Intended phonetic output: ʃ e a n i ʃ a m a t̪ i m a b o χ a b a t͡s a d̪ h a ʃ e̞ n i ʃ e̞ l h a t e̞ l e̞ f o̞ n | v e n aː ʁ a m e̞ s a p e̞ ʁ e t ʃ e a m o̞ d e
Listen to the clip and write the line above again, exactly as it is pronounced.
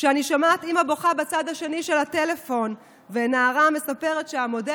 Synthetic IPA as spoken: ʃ e a n i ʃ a m a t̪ i m a b o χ a b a t͡s a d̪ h a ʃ e̞ n i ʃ e̞ l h a t e̞ l e̞ f o̞ n | v e n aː ʁ a m e̞ s a p e̞ ʁ e t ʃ e a m o̞ d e